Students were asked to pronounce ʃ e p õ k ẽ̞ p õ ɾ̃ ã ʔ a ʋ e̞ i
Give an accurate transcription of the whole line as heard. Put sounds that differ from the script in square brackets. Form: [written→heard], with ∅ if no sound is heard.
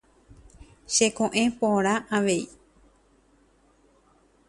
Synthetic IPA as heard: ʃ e [p→k] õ [k→ʔ] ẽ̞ p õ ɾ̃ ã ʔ a ʋ e̞ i